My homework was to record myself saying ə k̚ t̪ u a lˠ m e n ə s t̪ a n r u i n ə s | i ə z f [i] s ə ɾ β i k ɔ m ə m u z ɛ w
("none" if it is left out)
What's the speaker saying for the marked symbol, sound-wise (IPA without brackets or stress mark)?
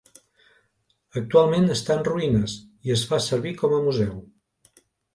a